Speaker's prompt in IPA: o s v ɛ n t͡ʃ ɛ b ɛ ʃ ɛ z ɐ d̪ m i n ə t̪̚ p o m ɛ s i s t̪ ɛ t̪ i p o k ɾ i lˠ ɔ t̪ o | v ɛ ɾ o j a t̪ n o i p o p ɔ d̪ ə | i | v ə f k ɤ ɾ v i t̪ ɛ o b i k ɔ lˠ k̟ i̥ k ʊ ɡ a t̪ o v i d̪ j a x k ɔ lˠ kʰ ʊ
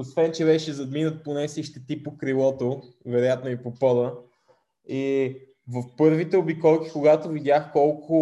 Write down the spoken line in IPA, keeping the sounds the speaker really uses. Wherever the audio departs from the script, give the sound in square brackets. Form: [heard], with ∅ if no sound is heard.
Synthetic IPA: o s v ɛ n t͡ʃ ɛ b ɛ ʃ ɛ z ɐ d̪ m i n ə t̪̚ p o [n] ɛ s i [ʃ] t̪ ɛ t̪ i p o k ɾ i lˠ ɔ t̪ o | v ɛ ɾ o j a t̪ n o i p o p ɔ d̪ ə | i | v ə f [p] ɤ ɾ v i t̪ ɛ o b i k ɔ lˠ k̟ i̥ k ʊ ɡ a t̪ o v i d̪ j a x k ɔ lˠ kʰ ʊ